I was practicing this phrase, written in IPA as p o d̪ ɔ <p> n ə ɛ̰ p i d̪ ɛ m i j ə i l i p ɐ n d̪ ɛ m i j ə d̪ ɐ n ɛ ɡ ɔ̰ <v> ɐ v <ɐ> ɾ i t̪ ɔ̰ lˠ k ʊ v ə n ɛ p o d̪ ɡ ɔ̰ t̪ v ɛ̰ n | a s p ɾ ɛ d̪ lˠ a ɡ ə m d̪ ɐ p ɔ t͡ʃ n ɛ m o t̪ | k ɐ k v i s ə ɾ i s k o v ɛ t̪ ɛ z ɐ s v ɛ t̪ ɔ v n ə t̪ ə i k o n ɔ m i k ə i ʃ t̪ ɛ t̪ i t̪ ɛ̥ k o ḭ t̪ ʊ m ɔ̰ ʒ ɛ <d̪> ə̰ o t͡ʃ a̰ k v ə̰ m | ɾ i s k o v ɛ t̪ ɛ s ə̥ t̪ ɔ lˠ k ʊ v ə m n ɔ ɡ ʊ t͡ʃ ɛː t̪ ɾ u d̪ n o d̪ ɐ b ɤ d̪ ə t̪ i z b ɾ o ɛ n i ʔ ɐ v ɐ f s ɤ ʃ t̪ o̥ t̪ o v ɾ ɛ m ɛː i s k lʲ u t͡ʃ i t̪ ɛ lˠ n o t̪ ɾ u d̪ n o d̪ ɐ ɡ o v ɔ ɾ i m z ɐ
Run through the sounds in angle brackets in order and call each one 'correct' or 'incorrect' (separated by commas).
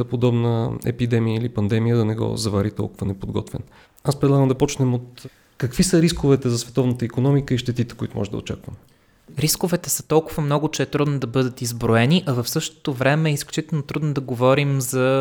incorrect, incorrect, incorrect, correct